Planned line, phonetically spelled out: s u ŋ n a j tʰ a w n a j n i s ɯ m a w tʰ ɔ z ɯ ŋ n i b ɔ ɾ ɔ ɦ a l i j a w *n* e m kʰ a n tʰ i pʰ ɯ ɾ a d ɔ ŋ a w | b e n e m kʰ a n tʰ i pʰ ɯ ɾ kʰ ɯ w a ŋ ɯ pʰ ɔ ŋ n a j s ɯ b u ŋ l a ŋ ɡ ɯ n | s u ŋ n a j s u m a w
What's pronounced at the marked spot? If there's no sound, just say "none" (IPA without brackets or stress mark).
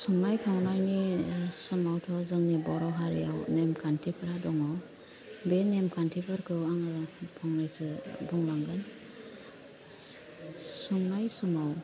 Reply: n